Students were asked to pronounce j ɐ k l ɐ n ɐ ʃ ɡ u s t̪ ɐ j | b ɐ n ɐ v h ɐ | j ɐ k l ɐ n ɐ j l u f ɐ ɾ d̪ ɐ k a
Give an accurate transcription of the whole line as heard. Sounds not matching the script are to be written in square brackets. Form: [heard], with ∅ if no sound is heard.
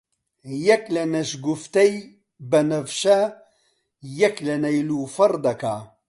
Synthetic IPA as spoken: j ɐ k l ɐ n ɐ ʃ ɡ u [f] t̪ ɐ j | b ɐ n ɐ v [ʃ] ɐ | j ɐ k l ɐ n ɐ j l u f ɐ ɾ d̪ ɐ k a